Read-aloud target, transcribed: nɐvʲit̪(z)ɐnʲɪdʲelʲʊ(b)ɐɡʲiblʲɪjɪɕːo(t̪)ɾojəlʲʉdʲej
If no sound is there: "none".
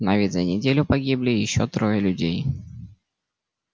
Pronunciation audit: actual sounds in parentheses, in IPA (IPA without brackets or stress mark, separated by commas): z, p, t̪